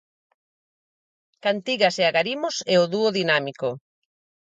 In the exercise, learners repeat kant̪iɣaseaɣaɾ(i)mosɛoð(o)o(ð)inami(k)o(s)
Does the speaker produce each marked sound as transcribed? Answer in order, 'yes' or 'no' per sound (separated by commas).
yes, no, yes, yes, no